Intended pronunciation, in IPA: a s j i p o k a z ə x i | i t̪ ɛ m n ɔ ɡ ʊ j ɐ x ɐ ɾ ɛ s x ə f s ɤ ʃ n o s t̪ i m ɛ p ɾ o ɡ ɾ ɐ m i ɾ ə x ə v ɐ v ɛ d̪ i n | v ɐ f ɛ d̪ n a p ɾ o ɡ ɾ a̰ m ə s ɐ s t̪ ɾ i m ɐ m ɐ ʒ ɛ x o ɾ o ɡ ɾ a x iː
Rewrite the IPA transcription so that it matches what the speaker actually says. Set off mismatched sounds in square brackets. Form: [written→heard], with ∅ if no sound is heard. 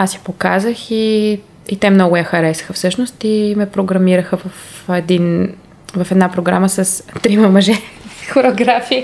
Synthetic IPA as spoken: a s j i p o k a z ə x i | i t̪ ɛ m n ɔ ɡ ʊ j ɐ x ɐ ɾ ɛ s x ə f s ɤ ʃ n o s t̪ i m ɛ p ɾ o ɡ ɾ ɐ m i ɾ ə x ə v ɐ [v→f] ɛ d̪ i n | v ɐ f ɛ d̪ n a p ɾ o ɡ ɾ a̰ m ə s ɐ s t̪ ɾ i m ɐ m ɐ ʒ ɛ x o ɾ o ɡ ɾ a [x→f] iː